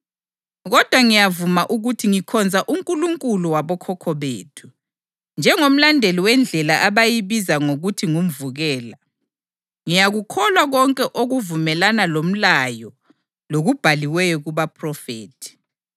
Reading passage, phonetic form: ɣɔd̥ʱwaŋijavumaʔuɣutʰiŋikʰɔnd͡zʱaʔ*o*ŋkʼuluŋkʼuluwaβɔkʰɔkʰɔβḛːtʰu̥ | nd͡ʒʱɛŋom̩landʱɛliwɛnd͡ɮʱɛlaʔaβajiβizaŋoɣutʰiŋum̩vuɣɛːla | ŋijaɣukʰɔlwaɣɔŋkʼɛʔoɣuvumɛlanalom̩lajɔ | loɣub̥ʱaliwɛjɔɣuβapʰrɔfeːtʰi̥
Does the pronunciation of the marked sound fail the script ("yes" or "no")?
yes